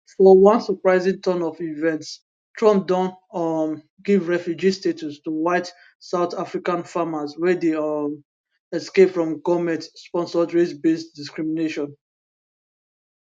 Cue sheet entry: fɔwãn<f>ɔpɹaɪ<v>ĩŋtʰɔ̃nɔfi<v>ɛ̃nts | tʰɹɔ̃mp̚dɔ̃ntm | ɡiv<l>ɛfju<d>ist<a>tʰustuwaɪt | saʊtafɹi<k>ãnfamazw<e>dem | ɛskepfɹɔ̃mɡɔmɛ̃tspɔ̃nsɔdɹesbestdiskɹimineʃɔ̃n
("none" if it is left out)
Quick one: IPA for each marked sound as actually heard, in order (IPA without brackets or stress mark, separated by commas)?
s, z, v, ɹ, d͡ʒ, e, k, ɛ